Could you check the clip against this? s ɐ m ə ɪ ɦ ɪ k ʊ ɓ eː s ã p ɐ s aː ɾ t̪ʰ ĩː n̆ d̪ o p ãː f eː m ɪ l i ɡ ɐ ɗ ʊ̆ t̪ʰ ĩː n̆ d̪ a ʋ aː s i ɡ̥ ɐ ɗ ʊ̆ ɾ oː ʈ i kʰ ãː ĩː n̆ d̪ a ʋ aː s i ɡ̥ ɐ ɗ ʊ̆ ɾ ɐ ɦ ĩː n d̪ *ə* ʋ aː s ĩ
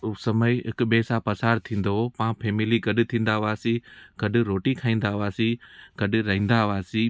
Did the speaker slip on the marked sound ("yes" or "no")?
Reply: yes